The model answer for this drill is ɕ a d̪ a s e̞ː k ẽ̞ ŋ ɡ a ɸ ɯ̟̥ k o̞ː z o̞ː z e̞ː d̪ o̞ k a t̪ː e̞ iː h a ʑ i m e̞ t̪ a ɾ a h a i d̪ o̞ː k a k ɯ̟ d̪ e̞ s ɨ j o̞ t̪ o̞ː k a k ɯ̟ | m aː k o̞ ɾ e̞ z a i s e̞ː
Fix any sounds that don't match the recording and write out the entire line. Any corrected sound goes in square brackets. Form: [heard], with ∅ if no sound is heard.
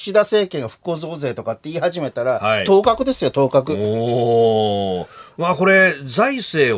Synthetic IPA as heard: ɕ [i] d̪ a s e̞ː k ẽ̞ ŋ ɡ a ɸ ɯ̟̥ k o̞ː z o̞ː z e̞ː [t̪] o̞ k a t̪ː e̞ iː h a ʑ i m e̞ t̪ a ɾ a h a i [t̪] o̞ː k a k ɯ̟ d̪ e̞ s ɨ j o̞ t̪ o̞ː k a k ɯ̟ | m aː k o̞ ɾ e̞ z a i s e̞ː